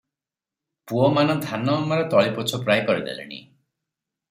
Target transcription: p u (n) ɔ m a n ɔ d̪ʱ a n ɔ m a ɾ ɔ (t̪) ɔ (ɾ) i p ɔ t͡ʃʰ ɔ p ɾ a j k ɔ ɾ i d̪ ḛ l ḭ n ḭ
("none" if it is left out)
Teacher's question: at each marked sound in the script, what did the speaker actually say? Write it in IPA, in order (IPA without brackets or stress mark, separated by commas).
none, t̪, ɭ